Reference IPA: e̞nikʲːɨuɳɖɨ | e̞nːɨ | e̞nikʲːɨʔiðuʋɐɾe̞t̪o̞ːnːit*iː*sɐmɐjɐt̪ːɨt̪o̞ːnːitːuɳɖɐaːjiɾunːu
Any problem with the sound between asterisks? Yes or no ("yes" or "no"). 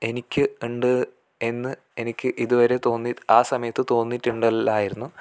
yes